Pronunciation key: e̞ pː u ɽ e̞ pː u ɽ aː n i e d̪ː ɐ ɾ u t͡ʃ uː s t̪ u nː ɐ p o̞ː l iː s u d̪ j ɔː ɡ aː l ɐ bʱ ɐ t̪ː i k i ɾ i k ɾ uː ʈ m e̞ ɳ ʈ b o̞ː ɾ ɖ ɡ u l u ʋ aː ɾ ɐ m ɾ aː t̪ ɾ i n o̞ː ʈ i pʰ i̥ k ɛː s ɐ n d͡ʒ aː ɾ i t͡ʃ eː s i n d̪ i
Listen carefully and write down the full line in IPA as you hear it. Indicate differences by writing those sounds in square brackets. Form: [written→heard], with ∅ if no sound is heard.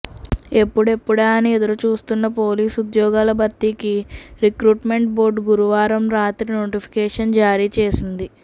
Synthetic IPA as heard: e̞ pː u ɽ e̞ pː u ɽ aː n i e [d̪ː→d̪] ɐ ɾ u t͡ʃ uː s t̪ u nː ɐ p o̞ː l iː s u d̪ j ɔː ɡ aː l ɐ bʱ ɐ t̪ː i k i ɾ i k ɾ uː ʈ m e̞ ɳ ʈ b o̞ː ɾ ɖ ɡ u [l→ɾ] u ʋ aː ɾ ɐ m ɾ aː t̪ ɾ i n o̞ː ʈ i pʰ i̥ k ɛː [s→ʂ] ɐ n d͡ʒ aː ɾ [i→iː] t͡ʃ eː s i n d̪ i